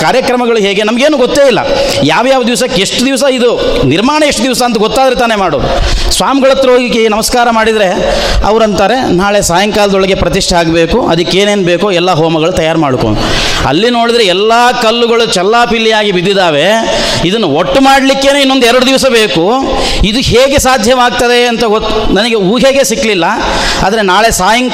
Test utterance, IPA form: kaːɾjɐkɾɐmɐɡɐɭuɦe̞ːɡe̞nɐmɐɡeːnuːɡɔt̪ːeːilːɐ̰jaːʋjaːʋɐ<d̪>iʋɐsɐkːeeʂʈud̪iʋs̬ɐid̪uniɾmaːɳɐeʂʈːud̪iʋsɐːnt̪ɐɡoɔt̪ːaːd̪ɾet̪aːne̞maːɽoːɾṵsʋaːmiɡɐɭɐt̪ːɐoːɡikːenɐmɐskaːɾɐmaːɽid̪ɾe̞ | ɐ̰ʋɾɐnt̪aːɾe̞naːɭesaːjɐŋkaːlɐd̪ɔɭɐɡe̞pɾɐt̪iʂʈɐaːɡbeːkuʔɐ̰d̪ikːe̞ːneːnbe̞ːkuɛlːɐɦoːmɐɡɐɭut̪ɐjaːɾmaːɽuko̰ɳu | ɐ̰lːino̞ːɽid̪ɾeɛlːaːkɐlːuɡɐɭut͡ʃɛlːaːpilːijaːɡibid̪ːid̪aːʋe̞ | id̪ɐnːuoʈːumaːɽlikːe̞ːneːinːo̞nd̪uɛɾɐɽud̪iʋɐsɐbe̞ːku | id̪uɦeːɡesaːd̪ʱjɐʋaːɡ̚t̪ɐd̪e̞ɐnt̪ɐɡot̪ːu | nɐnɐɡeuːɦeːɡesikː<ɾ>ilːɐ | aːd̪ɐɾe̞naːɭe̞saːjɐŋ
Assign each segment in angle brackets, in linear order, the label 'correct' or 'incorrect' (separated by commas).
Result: correct, incorrect